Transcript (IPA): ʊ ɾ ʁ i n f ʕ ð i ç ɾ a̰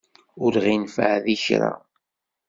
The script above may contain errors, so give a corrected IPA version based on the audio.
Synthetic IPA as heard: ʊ ɾ ʁ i n f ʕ ð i ç ɾ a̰